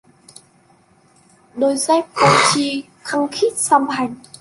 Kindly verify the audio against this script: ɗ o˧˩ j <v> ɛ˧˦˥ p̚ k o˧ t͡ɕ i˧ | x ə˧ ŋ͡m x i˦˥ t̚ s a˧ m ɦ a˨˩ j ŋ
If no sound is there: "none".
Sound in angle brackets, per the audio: z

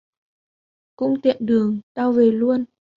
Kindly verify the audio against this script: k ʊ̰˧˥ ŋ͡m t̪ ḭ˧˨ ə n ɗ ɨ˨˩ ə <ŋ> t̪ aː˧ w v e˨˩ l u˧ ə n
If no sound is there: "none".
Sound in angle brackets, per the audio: ŋ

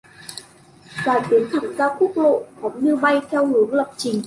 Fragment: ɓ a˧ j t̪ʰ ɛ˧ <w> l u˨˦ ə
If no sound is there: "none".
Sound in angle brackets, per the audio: w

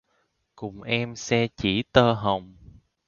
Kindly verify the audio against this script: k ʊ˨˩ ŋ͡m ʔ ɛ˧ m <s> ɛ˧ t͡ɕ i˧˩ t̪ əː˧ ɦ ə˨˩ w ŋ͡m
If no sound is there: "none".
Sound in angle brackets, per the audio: s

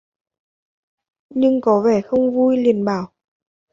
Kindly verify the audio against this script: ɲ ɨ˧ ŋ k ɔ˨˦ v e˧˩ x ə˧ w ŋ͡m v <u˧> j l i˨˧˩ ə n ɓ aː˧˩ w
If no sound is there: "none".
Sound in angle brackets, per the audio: u˧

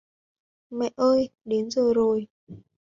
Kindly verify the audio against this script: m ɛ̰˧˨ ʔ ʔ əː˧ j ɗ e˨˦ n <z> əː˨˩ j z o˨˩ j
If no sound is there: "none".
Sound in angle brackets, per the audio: z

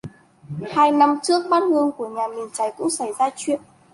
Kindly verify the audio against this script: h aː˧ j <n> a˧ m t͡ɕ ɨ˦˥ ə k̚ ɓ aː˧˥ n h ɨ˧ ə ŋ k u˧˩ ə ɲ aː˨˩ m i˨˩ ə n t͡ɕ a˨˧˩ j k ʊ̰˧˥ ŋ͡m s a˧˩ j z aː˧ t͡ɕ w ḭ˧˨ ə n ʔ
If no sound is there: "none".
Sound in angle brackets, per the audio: n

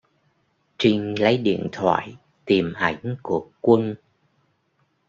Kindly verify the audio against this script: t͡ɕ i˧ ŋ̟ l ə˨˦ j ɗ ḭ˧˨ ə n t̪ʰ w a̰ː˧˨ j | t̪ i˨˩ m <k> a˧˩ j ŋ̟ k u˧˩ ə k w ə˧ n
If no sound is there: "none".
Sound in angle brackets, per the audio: ʔ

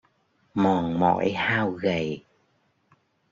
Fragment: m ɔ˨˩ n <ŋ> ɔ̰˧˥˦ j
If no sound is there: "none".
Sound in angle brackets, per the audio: m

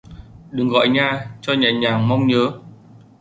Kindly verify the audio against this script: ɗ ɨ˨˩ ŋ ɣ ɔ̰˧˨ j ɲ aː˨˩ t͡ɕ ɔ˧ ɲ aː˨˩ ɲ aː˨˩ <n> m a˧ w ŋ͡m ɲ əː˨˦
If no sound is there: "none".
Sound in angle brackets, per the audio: ŋ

